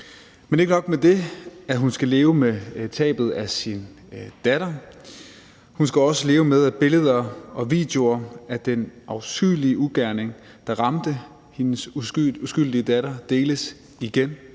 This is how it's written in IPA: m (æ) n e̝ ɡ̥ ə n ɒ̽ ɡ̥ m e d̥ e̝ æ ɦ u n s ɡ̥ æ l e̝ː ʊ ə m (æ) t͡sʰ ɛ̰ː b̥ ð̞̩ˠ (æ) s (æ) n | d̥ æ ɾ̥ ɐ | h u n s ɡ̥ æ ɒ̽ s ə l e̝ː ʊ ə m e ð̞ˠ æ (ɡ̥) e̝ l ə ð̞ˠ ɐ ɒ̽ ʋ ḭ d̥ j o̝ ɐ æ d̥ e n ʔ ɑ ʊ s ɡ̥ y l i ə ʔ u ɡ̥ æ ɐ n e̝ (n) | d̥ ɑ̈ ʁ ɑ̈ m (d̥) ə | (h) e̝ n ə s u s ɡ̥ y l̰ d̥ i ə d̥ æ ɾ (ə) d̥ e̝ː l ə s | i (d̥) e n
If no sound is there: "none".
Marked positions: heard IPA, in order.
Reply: e, e, æ, i, b̥, ŋ, d̥, h, ɐ, ɡ̥

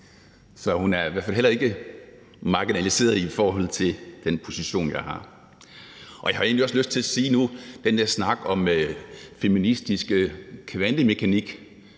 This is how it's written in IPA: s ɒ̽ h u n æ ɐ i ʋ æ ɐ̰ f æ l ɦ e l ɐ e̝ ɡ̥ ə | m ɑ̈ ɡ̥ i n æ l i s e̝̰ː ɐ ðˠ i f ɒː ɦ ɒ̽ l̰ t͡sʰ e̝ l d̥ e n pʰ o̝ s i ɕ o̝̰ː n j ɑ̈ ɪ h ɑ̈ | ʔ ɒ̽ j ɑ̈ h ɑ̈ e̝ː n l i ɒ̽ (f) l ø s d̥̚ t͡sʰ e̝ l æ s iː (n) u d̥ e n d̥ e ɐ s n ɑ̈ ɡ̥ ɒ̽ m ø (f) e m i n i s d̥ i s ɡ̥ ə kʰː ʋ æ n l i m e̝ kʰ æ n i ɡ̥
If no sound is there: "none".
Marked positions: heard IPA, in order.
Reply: s, n, f

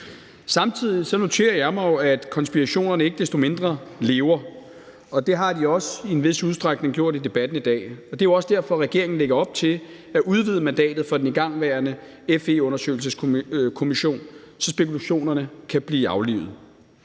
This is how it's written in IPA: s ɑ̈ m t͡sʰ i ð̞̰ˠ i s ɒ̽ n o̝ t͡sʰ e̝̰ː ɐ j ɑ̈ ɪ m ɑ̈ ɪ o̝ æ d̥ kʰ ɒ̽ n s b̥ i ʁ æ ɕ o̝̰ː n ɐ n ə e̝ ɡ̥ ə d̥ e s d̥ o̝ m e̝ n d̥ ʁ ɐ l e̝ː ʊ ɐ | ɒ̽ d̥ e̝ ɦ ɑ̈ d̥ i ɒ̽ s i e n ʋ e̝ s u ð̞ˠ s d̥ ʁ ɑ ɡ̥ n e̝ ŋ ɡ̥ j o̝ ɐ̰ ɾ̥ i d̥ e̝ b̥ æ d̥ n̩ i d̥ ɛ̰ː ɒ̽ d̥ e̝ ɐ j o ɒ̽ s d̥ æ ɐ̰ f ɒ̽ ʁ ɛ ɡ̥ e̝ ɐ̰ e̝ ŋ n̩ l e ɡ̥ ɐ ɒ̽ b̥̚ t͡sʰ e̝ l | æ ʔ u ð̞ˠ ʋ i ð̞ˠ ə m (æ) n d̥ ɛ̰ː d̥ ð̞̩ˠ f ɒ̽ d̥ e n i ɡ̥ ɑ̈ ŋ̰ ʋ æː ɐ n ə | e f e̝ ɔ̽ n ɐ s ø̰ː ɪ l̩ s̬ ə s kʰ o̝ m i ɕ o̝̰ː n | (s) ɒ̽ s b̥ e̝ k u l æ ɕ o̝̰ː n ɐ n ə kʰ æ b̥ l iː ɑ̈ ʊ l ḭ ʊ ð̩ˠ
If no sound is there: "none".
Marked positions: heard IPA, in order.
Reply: æ, s

